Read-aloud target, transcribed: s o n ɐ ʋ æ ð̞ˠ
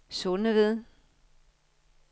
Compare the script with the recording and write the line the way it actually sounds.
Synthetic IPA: s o n ə ʋ e ð̞ˠ